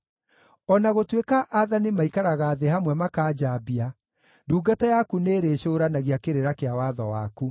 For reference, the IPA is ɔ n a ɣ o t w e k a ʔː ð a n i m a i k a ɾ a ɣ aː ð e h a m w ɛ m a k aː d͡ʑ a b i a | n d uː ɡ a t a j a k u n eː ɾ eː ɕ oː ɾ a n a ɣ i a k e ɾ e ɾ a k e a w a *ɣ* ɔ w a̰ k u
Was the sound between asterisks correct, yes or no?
no